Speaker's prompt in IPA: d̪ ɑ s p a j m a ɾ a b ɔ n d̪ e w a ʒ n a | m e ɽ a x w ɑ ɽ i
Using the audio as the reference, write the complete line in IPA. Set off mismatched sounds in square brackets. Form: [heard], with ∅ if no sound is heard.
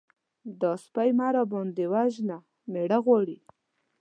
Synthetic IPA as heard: d̪ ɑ s p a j m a ɾ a b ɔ n d̪ e w a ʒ n a | m e ɽ a [ɣ] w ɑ ɽ i